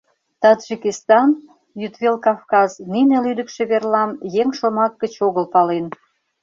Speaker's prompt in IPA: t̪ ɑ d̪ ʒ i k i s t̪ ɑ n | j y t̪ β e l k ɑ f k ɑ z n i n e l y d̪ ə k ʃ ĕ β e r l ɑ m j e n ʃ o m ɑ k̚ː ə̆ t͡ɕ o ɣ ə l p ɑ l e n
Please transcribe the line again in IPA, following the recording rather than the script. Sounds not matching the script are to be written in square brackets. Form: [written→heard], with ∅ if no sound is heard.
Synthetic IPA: t̪ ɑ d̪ ʒ i k i s t̪ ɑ n | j y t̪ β e l k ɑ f k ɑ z n i n e l y d̪ ə k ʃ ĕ β e r l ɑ m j e [n→ŋ] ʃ o m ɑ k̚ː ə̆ t͡ɕ o ɣ ə l p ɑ l e n

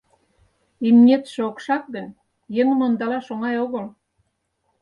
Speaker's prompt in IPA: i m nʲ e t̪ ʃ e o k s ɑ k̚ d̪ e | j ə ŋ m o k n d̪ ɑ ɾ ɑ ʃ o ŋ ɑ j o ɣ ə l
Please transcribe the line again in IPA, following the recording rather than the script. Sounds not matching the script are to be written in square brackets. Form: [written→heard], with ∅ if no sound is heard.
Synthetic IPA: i m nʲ e t̪ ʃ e o k [s→ʃ] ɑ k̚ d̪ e | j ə ŋ m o [k→∅] n d̪ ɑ [ɾ→l] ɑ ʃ o ŋ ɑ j o ɣ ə l

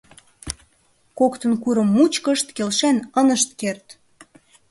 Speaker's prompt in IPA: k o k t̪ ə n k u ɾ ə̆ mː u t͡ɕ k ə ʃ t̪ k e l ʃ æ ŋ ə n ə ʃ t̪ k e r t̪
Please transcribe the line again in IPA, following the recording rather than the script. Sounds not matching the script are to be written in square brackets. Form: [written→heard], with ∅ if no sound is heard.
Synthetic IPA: k o k t̪ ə n k u ɾ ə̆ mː u t͡ɕ k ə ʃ t̪ k e l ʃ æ [ŋ→n] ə n ə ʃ t̪ k e r t̪

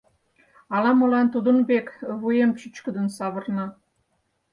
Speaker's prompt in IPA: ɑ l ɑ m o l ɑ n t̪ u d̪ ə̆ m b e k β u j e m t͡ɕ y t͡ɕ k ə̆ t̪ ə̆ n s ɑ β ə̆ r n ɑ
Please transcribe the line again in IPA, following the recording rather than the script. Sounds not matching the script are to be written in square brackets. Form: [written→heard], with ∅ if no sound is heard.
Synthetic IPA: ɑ l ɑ m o l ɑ n t̪ u d̪ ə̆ [m→n] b e k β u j e m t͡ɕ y t͡ɕ k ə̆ [t̪→d̪] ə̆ n s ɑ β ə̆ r n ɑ

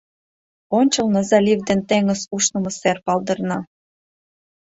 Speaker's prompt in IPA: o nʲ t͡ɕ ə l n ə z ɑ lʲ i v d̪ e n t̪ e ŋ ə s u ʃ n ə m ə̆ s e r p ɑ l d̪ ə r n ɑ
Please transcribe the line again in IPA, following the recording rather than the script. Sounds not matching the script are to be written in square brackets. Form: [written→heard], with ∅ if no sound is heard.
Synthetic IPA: o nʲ t͡ɕ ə l n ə z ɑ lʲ i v d̪ e n t̪ e ŋ ə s u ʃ n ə m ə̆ s e r p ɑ l d̪ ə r n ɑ

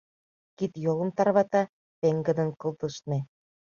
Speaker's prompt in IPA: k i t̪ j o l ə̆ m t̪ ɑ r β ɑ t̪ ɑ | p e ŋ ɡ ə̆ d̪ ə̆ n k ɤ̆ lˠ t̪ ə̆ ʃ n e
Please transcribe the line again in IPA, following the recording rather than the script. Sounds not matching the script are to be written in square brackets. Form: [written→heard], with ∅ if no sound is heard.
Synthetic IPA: k i t̪ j o l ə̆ m t̪ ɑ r β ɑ t̪ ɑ | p e ŋ ɡ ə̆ d̪ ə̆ n k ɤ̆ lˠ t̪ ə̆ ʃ n e

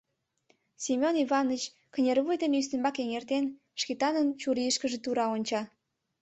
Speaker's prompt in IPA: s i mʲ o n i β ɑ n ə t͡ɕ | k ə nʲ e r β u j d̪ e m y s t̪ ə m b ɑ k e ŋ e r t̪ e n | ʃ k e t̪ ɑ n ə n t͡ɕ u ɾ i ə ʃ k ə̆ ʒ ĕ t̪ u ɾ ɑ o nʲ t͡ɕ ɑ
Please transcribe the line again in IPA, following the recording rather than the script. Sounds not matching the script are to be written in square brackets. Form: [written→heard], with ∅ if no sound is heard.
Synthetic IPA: s i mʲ o n i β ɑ n ə t͡ɕ | k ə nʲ e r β u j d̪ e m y s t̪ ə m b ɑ k e ŋ e r t̪ e n | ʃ k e t̪ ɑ n ə n t͡ɕ u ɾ i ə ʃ k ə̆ ʒ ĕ t̪ u ɾ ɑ o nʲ t͡ɕ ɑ

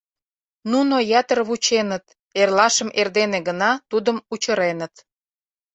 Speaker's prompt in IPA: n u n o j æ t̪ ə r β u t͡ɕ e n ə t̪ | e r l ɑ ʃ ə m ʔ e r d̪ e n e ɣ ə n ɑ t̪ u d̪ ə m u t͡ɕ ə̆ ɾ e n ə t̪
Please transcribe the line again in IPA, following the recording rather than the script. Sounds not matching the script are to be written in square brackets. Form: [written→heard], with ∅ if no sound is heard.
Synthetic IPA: n u n o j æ t̪ ə r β u t͡ɕ e n ə t̪ | e r l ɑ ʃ ə m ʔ e r d̪ e n e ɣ ə n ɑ t̪ u d̪ ə m u t͡ɕ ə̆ ɾ e n ə t̪

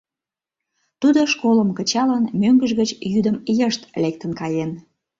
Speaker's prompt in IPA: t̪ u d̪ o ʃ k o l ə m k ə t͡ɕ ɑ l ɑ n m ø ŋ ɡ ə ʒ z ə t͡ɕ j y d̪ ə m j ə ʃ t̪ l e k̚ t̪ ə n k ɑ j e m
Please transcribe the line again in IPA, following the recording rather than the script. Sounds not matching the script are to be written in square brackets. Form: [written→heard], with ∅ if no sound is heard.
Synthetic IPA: t̪ u d̪ o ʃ k o l ə m k ə t͡ɕ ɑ l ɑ n m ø ŋ ɡ ə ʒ [z→ɣ] ə t͡ɕ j y d̪ ə m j ə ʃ t̪ l e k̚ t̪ ə n k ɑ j e [m→n]

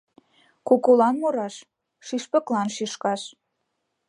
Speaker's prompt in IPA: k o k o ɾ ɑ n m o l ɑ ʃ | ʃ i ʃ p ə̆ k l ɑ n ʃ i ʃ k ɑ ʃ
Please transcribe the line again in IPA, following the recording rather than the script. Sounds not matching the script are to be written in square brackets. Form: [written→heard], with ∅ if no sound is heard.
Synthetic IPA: k o k o [ɾ→l] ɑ n m o [l→ɾ] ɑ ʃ | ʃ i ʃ p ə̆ k l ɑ n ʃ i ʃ k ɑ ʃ

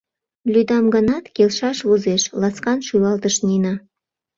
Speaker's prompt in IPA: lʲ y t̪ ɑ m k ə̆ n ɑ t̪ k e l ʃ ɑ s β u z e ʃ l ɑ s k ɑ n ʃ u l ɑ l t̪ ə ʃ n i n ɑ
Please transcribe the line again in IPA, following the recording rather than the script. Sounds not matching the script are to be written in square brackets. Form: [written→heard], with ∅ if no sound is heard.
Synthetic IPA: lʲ y [t̪→d̪] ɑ m [k→ɡ] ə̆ n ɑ t̪ k e l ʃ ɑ [s→ʃ] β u z e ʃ l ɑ s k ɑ n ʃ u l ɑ l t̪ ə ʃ n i n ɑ

